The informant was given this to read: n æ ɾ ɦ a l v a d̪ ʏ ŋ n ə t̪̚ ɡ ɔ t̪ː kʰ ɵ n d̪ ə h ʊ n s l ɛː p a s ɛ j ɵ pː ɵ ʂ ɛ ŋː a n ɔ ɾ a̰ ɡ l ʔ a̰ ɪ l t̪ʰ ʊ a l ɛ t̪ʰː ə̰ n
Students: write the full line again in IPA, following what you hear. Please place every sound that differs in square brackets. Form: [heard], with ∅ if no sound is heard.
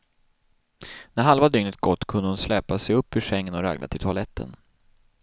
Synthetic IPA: n æ ɾ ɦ a l v a d̪ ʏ ŋ n ə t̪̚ ɡ ɔ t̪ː kʰ ɵ n d̪ ə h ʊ n s l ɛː p a s ɛ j ɵ pː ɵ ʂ ɛ ŋː [ə] n ɔ ɾ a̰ ɡ l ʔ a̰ ɪ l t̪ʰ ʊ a l ɛ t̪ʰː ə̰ n